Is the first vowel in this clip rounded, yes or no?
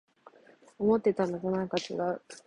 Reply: yes